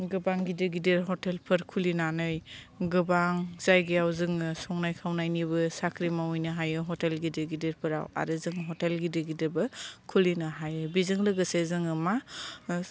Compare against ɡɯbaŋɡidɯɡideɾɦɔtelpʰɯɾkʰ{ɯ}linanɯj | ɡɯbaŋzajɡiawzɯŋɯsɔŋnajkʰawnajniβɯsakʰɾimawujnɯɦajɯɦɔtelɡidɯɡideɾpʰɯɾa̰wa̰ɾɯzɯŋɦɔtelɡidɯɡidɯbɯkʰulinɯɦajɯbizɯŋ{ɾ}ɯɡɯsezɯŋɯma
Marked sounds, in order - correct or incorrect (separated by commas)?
incorrect, incorrect